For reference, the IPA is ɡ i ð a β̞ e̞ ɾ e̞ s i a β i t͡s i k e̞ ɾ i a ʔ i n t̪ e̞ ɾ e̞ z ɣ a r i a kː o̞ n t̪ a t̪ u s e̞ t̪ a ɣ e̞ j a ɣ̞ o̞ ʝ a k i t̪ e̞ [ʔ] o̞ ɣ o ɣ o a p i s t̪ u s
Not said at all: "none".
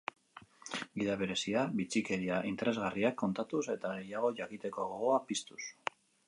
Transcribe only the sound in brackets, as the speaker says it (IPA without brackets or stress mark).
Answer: k